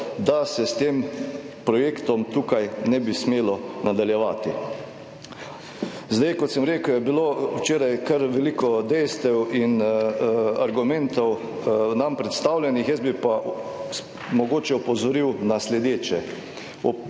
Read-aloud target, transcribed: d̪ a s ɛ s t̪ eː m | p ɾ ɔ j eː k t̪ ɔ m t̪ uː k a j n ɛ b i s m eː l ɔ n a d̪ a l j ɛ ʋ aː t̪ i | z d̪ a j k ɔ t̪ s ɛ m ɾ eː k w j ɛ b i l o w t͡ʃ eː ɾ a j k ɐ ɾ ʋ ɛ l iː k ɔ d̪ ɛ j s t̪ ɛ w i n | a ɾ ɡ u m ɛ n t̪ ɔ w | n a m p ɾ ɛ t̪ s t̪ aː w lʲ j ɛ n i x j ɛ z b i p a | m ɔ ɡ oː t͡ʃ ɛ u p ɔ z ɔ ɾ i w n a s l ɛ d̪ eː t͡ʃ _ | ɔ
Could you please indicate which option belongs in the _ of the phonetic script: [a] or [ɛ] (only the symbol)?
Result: ɛ